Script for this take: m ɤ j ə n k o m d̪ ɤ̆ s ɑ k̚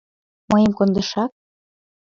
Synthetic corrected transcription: m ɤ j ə m k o n d̪ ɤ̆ ʃ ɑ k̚